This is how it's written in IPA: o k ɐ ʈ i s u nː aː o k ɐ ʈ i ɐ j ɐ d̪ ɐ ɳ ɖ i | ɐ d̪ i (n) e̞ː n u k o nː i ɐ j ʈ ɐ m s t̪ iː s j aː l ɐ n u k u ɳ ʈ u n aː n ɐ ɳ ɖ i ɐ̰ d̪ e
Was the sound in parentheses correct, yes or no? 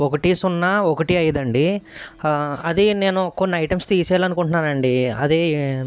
yes